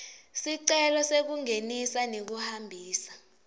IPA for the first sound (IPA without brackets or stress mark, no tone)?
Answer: s